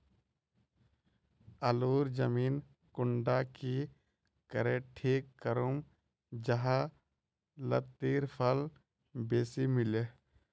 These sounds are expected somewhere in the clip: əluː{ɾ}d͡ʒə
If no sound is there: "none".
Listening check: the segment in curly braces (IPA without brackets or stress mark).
ɾ